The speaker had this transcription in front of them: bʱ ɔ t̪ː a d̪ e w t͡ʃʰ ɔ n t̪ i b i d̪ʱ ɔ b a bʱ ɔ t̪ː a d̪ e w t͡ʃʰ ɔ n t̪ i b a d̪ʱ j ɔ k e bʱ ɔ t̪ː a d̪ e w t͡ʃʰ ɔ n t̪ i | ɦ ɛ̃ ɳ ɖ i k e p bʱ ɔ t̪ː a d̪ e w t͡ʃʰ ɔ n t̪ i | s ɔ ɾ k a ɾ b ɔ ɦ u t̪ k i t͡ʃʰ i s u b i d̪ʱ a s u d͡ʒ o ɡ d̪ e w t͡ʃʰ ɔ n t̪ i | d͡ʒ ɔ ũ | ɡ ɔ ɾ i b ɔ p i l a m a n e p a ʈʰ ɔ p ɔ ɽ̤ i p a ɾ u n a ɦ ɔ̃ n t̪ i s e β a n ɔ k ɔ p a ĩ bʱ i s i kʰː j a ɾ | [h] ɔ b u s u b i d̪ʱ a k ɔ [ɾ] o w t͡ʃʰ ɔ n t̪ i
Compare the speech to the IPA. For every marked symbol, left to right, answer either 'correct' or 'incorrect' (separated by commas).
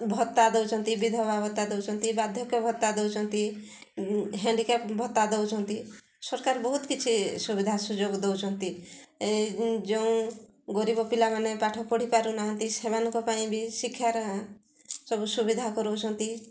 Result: incorrect, correct